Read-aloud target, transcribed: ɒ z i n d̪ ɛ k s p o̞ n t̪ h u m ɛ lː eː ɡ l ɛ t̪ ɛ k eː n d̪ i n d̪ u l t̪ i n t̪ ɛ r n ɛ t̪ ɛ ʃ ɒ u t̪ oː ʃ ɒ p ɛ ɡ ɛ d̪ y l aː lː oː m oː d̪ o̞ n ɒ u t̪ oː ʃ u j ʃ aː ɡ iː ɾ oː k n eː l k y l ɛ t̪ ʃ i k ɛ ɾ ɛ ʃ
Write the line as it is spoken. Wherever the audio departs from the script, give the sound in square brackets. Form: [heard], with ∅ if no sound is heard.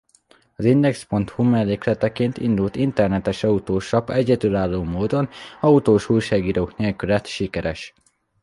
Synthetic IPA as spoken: ɒ z i n d̪ ɛ k s p o̞ n t̪ h u m ɛ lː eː [k] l ɛ t̪ ɛ k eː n [t̪] i n d̪ u l t̪ i n t̪ ɛ r n ɛ t̪ ɛ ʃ ɒ u t̪ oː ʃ ɒ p ɛ [ɟ] ɛ d̪ y l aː lː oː m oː d̪ o̞ n ɒ u t̪ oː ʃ u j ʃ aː ɡ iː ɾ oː k n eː l k y l ɛ t̪ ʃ i k ɛ ɾ ɛ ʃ

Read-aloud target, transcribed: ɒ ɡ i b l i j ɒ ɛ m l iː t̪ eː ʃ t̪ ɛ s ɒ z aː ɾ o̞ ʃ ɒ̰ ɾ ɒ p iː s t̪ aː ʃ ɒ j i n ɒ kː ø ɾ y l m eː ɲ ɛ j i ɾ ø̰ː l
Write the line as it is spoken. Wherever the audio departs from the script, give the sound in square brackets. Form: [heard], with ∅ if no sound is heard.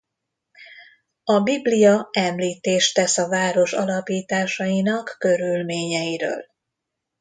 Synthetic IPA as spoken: ɒ [b] i b l i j ɒ ɛ m l iː t̪ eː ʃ t̪ ɛ s ɒ [v] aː ɾ o̞ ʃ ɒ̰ [l] ɒ p iː [∅] t̪ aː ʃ ɒ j i n ɒ kː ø ɾ y l m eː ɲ ɛ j i ɾ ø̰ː l

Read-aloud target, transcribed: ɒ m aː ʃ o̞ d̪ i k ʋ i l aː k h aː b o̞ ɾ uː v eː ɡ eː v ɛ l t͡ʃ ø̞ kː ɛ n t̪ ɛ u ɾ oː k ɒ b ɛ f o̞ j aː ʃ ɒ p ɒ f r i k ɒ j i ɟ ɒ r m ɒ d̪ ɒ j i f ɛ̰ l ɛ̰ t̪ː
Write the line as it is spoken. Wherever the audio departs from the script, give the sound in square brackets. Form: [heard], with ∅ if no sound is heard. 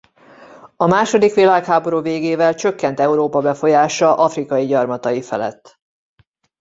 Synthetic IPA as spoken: ɒ m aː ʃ o̞ d̪ i k ʋ i l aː k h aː b o̞ ɾ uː v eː ɡ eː v ɛ l t͡ʃ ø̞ kː ɛ n t̪ ɛ u ɾ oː [p] ɒ b ɛ f o̞ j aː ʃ ɒ [ʔ] ɒ f r i k ɒ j i ɟ ɒ r m ɒ [t̪] ɒ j i f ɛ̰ l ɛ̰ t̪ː

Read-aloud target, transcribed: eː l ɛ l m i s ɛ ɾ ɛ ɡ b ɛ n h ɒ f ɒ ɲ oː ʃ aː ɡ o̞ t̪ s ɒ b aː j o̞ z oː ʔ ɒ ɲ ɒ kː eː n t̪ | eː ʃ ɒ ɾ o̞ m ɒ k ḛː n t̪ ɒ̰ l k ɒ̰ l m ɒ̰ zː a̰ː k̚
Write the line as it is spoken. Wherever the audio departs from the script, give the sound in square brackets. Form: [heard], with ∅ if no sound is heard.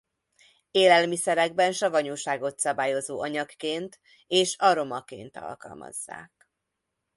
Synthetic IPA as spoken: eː l ɛ l m i s ɛ ɾ ɛ ɡ b ɛ n [ʃ] ɒ [v] ɒ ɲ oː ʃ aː ɡ o̞ t̪ s ɒ b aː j o̞ z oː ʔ ɒ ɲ ɒ kː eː n t̪ | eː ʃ ɒ ɾ o̞ m ɒ k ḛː n t̪ ɒ̰ l k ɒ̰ l m ɒ̰ zː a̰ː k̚

